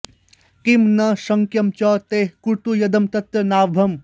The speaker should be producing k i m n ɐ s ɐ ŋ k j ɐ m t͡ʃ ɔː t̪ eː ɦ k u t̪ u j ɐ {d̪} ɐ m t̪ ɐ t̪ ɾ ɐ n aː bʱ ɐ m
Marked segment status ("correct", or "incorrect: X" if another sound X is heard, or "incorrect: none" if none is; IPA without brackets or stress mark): correct